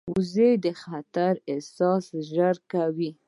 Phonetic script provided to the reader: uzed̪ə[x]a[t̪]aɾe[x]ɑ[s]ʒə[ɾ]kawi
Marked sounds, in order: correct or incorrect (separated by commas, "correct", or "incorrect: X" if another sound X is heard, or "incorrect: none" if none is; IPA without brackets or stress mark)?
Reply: correct, correct, incorrect: s, correct, correct